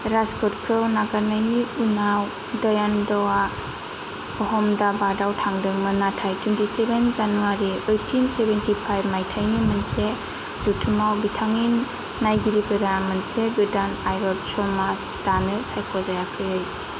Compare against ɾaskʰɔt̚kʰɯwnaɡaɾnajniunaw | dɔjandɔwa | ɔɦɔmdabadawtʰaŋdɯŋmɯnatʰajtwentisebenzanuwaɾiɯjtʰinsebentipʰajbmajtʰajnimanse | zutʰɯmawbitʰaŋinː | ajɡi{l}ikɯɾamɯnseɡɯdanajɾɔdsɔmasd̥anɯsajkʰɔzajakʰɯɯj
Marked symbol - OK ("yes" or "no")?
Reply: no